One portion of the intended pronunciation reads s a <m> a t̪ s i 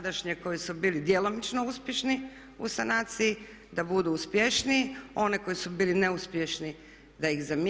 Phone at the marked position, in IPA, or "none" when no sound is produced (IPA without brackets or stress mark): n